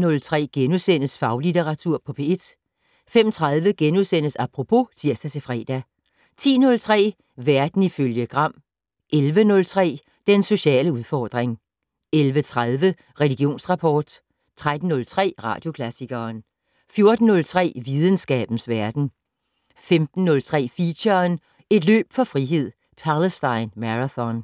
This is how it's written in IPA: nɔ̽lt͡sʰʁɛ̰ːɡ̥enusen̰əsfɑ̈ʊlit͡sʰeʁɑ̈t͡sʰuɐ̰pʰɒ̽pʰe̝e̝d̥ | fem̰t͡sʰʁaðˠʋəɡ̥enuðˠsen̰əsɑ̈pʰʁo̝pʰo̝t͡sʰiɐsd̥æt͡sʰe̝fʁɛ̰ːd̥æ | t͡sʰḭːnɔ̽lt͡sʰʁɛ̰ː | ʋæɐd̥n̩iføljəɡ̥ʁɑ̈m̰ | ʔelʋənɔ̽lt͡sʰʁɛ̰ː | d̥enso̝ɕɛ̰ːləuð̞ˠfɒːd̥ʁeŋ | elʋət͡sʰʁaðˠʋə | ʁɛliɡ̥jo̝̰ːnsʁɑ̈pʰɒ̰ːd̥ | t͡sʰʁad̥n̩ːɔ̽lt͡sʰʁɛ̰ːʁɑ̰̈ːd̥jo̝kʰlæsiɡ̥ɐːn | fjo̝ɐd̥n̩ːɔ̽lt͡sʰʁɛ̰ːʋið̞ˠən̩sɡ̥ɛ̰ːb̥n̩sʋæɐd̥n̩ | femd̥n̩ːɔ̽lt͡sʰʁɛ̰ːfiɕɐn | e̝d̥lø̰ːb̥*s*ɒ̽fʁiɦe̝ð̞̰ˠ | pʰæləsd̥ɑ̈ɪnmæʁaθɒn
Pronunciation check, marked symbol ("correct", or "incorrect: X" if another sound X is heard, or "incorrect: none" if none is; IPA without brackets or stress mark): incorrect: f